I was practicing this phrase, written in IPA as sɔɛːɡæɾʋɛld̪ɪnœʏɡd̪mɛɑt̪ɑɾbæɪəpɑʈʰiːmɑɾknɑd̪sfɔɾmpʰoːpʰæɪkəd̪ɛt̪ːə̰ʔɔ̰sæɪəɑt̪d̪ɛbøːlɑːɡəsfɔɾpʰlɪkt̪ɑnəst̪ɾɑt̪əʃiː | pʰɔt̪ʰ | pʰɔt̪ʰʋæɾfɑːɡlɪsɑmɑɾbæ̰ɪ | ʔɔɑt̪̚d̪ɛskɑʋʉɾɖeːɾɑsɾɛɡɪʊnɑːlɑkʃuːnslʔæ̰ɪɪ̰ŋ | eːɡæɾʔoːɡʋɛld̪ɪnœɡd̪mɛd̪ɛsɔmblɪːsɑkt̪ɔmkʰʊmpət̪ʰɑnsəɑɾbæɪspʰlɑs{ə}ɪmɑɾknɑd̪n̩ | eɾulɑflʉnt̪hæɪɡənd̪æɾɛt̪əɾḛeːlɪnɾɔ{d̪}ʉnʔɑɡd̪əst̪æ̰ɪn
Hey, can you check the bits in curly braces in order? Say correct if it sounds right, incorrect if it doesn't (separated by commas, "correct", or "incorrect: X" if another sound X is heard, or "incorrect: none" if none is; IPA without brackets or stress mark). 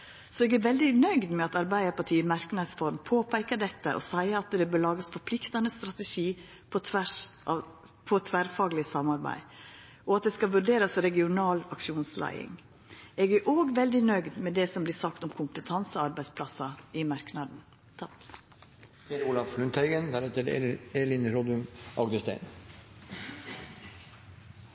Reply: incorrect: ɑ, correct